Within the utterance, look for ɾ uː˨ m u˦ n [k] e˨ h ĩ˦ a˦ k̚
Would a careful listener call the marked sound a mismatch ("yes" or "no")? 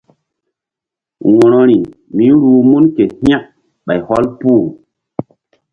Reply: no